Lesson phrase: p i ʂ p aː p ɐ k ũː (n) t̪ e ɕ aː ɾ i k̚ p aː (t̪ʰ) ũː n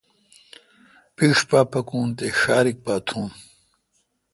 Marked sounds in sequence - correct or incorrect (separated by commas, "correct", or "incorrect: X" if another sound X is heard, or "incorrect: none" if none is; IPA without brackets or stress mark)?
correct, correct